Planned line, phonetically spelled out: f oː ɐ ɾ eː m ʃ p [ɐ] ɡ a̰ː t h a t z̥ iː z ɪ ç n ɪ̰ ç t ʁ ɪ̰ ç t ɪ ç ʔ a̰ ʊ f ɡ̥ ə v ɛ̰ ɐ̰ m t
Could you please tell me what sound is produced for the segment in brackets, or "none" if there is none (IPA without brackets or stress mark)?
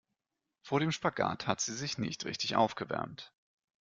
a